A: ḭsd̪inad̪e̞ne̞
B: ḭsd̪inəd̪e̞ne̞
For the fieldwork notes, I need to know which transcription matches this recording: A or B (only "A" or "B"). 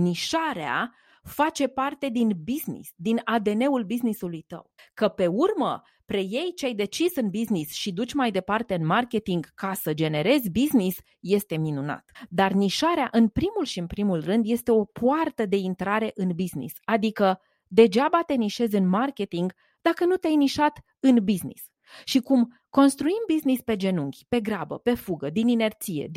A